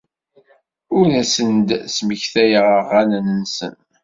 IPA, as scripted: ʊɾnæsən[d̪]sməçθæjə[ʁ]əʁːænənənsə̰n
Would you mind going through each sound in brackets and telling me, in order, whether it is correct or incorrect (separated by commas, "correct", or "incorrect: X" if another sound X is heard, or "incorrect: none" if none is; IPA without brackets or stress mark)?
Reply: correct, correct